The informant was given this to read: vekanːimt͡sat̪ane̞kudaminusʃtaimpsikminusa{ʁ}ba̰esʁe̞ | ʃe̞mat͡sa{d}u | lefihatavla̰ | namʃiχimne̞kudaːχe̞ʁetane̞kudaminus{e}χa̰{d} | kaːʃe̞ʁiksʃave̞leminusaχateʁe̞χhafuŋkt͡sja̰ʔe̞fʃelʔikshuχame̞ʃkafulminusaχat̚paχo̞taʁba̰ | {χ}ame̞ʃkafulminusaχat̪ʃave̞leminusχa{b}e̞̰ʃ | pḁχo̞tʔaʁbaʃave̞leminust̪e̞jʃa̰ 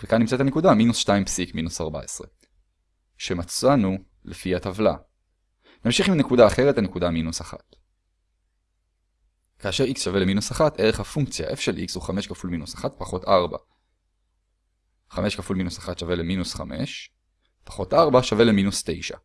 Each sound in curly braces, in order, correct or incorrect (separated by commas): correct, incorrect, incorrect, incorrect, correct, incorrect